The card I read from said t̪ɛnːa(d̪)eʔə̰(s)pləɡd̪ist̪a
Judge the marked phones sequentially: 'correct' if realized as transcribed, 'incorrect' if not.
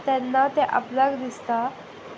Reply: incorrect, incorrect

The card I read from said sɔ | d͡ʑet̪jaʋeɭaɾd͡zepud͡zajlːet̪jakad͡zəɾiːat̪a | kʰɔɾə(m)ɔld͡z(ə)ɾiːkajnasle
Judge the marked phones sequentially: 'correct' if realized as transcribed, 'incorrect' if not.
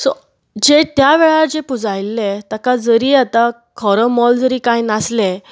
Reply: correct, correct

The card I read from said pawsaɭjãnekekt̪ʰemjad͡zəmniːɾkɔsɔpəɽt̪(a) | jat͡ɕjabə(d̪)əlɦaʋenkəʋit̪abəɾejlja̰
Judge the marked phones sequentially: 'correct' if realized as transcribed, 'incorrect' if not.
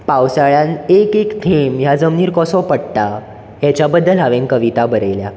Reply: correct, incorrect

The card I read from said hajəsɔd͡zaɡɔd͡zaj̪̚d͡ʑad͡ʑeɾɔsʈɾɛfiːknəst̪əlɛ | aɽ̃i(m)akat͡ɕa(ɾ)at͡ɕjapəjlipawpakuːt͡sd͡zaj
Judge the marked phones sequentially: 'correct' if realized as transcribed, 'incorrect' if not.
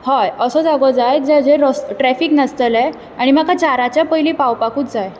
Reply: correct, correct

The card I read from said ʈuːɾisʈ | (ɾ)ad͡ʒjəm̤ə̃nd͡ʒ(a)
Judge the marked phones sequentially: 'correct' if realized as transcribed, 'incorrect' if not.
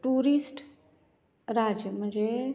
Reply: correct, incorrect

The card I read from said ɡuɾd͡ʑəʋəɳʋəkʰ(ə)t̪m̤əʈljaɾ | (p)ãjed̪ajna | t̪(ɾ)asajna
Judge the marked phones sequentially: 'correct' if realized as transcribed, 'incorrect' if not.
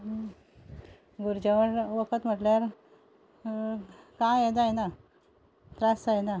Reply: correct, incorrect, correct

